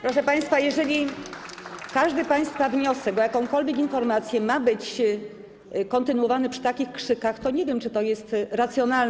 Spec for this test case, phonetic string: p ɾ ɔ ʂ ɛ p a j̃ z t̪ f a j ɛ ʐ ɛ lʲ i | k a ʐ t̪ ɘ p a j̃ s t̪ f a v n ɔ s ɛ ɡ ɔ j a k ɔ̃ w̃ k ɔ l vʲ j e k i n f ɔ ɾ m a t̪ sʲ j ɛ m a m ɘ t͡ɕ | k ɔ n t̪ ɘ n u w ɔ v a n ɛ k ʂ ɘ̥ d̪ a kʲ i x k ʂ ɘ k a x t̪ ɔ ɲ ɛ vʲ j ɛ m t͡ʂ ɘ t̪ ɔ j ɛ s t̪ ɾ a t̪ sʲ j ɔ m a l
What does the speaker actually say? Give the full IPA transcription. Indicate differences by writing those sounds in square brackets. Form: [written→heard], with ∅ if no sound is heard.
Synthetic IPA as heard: p ɾ ɔ ʂ ɛ p a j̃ [z→s] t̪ f a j ɛ ʐ ɛ lʲ i | k a ʐ [t̪→d̪] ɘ p a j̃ s t̪ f a v [n→ɲ] ɔ s ɛ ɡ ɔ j a k ɔ̃ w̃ k ɔ l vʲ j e k i n f ɔ ɾ m a t̪ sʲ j ɛ m a [m→b] ɘ t͡ɕ | k ɔ n t̪ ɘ n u w ɔ v a n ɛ [k→p] ʂ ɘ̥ [d̪→t̪] a kʲ i x k ʂ ɘ k a x t̪ ɔ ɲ ɛ vʲ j ɛ m t͡ʂ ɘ t̪ ɔ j ɛ s t̪ ɾ a t̪ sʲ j ɔ [m→n] a l